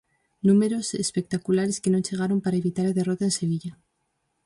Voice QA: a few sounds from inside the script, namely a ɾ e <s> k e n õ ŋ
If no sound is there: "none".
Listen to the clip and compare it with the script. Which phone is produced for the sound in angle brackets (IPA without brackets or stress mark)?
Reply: s